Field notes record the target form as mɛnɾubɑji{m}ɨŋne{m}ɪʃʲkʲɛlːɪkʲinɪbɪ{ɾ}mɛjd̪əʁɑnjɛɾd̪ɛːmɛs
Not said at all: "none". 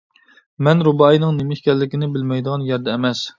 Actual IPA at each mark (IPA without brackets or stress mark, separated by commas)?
n, m, l